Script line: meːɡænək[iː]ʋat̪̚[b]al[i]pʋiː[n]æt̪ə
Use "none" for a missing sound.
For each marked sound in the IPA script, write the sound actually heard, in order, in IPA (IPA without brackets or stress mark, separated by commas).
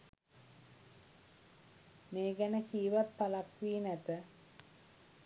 iː, p, a, n